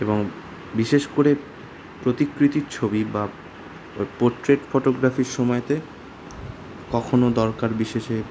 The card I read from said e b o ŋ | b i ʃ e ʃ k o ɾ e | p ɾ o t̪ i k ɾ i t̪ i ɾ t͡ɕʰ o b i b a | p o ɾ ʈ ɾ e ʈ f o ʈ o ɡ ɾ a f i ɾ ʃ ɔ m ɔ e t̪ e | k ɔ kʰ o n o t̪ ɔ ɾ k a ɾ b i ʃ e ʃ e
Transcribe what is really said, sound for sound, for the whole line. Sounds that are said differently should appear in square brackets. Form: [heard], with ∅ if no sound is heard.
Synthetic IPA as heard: e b o ŋ | b i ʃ e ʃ k o ɾ e | p ɾ o t̪ i k ɾ i t̪ i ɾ t͡ɕʰ o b i b a | p o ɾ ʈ ɾ e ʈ f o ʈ o ɡ ɾ a f i ɾ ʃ ɔ m ɔ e t̪ e | k ɔ kʰ o n o [d̪] ɔ ɾ k a ɾ b i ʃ e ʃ e

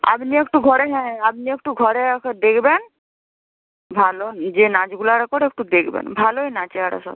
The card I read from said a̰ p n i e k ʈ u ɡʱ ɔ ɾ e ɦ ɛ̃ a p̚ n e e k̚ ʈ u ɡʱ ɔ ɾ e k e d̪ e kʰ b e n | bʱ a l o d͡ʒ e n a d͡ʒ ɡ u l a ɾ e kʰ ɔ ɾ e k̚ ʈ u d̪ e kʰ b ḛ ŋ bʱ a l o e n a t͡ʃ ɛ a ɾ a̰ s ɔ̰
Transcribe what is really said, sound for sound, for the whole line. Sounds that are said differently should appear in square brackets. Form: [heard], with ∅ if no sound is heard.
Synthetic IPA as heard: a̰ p n i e k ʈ u ɡʱ ɔ ɾ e ɦ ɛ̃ a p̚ n [i] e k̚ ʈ u ɡʱ ɔ ɾ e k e d̪ e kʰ b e n | bʱ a l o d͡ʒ e n a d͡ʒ ɡ u l a ɾ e [k] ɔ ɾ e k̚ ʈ u d̪ e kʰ b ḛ [n] bʱ a l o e n a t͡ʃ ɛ a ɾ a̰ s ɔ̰

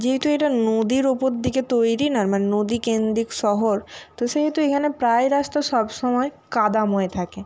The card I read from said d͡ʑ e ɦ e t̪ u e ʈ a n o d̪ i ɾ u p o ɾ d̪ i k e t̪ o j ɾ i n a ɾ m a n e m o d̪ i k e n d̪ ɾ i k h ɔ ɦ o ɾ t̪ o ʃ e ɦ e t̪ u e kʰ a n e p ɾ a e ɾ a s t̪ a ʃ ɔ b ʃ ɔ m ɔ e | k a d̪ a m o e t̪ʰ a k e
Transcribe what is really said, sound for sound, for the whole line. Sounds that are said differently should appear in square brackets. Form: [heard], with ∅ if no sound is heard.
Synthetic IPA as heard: d͡ʑ e ɦ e t̪ u e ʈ a n o d̪ i ɾ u p o ɾ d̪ i k e t̪ o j ɾ i n a ɾ m a n e [n] o d̪ i k e n d̪ ɾ i k [ʃ] ɔ ɦ o ɾ t̪ o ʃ e ɦ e t̪ u e kʰ a n e p ɾ a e ɾ a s t̪ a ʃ ɔ b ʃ ɔ m ɔ e | k a d̪ a m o e t̪ʰ a k e

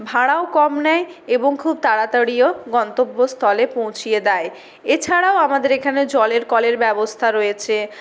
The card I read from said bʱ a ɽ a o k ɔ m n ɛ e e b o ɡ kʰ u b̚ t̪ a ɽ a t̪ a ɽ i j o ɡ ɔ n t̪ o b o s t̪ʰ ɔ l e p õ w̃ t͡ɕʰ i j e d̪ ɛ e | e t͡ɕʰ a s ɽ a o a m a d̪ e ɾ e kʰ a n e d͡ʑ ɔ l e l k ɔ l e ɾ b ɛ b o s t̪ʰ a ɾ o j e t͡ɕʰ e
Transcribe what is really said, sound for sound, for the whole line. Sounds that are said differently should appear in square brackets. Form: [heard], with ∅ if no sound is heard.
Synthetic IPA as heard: bʱ a ɽ a o k ɔ m n ɛ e e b o [ŋ] kʰ u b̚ t̪ a ɽ a t̪ a ɽ i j o ɡ ɔ n t̪ o [bː] o s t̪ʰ ɔ l e p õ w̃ t͡ɕʰ i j e d̪ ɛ e | e t͡ɕʰ a [∅] ɽ a o a m a d̪ e ɾ e kʰ a n e d͡ʑ ɔ l e [ɾ] k ɔ l e ɾ b ɛ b o s t̪ʰ a ɾ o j e t͡ɕʰ e

